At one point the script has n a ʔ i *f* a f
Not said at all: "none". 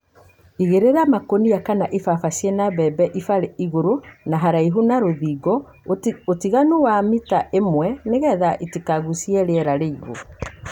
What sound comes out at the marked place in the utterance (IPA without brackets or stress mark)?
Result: f